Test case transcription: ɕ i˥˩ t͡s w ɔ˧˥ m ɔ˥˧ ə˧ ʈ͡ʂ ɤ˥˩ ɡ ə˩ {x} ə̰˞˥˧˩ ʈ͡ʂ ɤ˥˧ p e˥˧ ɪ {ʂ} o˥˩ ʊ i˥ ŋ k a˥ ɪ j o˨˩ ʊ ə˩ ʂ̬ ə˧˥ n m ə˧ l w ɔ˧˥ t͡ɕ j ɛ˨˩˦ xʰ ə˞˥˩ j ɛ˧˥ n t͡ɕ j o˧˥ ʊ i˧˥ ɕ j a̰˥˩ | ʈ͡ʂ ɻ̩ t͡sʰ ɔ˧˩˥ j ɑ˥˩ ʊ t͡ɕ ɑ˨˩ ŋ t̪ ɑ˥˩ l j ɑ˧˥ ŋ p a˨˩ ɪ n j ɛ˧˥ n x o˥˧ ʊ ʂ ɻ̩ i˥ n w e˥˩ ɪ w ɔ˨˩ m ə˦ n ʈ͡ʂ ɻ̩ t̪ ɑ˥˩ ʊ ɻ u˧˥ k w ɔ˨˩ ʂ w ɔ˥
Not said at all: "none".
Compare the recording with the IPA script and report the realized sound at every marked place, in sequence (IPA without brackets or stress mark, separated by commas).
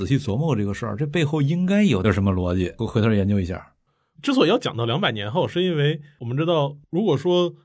ʂ, x